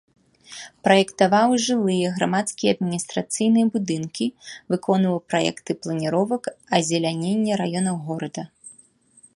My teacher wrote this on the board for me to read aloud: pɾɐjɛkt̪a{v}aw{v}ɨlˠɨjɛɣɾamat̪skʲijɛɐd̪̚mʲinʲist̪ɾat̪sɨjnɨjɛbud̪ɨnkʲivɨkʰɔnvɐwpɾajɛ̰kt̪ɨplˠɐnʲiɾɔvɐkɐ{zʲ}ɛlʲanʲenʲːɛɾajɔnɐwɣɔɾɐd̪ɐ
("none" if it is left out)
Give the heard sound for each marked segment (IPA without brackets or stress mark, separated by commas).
v, ʐ, zʲ